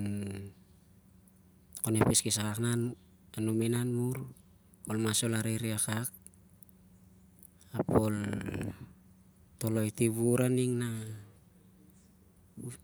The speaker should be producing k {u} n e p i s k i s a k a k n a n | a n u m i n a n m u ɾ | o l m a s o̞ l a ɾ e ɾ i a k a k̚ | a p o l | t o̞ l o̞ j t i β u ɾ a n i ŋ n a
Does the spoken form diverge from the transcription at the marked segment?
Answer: yes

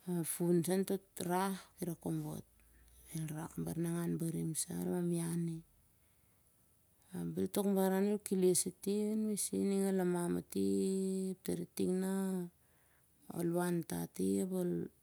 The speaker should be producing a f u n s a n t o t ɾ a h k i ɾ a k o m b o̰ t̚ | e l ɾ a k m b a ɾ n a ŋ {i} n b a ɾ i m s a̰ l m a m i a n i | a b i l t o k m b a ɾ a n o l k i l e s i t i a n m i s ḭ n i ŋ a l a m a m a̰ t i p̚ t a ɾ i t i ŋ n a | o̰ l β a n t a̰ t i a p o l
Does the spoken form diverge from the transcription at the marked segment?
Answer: yes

